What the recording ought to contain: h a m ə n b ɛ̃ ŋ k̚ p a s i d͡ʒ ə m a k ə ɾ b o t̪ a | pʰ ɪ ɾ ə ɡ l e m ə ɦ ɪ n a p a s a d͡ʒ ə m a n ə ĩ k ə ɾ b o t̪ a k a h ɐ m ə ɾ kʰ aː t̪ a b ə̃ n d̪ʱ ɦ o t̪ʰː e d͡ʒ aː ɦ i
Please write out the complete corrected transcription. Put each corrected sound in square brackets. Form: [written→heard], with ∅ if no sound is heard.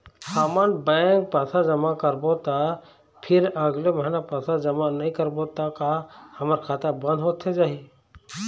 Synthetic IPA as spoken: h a m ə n b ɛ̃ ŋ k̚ p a s [i→a] d͡ʒ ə m a k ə ɾ b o t̪ a | pʰ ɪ ɾ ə ɡ l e m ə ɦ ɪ n a p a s a d͡ʒ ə m a n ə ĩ k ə ɾ b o t̪ a k a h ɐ m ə ɾ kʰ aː t̪ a b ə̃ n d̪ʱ ɦ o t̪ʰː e d͡ʒ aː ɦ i